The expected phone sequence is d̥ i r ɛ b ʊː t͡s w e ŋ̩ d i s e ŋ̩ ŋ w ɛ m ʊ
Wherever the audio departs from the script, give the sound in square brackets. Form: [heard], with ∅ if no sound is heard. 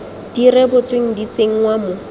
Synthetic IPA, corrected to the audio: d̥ i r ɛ b [ʊ] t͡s w e ŋ̩ d i [t͡s] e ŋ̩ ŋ w [a] m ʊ